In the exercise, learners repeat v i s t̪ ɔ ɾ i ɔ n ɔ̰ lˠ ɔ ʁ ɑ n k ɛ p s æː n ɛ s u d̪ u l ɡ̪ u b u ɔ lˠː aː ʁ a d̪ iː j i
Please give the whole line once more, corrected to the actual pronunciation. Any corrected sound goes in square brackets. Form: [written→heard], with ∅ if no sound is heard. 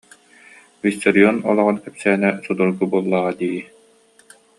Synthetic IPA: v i s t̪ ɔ ɾ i ɔ n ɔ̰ lˠ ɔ ʁ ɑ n k ɛ p s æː n ɛ s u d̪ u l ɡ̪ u b u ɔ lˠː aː ʁ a d̪ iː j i